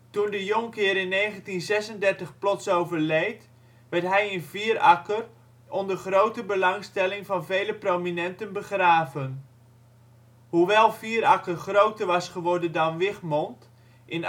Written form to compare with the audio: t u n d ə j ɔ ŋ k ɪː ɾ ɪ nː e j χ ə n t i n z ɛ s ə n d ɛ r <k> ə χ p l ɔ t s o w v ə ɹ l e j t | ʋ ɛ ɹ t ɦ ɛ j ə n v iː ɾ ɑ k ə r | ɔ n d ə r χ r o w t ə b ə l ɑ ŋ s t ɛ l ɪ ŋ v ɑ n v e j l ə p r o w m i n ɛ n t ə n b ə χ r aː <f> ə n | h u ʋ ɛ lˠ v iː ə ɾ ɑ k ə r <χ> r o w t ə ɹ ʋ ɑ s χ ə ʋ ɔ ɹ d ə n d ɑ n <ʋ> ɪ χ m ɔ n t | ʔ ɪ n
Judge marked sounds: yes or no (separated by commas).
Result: no, no, yes, yes